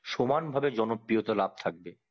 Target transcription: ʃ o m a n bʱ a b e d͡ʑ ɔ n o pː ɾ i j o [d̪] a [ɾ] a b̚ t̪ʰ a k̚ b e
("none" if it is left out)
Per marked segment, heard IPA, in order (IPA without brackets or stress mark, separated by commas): t̪, l